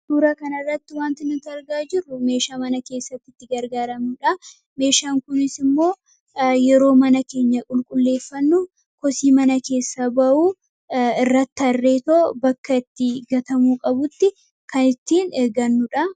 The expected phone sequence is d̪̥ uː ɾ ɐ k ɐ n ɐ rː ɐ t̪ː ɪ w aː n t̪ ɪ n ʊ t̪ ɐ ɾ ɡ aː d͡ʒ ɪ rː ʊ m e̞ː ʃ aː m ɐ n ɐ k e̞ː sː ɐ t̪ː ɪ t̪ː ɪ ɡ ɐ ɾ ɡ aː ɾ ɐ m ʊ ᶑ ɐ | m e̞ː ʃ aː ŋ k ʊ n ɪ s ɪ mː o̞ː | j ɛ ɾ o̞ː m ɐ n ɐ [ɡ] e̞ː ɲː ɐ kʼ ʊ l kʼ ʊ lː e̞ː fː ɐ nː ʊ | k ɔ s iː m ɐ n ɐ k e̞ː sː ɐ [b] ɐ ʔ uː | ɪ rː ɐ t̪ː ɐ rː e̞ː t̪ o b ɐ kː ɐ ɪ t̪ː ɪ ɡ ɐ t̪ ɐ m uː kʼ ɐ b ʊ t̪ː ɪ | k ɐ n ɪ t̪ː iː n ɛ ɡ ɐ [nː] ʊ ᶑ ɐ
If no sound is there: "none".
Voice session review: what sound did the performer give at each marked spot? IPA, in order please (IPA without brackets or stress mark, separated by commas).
k, b, nː